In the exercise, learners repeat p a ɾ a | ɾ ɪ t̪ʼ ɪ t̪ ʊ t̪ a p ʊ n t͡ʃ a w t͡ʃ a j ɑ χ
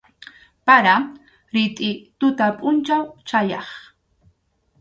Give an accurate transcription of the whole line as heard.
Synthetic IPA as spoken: p a ɾ a | ɾ ɪ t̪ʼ ɪ t̪ ʊ t̪ a pʼ ʊ n t͡ʃ a w t͡ʃ a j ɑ χ